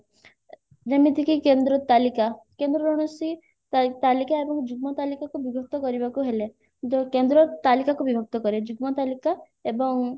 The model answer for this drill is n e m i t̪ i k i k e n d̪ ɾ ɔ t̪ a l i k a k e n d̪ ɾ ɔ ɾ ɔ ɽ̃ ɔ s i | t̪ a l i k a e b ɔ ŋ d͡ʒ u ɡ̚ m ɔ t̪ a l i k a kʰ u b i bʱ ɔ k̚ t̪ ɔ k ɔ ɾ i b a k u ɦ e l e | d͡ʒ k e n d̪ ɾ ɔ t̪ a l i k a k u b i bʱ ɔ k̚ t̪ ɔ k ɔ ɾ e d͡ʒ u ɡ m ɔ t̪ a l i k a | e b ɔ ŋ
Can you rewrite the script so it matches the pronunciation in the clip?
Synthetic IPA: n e m i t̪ i k i k e n d̪ ɾ ɔ t̪ a l i k a k e n d̪ ɾ ɔ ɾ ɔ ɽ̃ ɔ s i | t̪ a l i k a e b ɔ ŋ d͡ʒ u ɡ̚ m ɔ t̪ a l i k a k u b i bʱ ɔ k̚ t̪ ɔ k ɔ ɾ i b a k u ɦ e l e | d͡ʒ k e n d̪ ɾ ɔ t̪ a l i k a k u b i bʱ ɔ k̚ t̪ ɔ k ɔ ɾ e d͡ʒ u ɡ m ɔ t̪ a l i k a | e b ɔ ŋ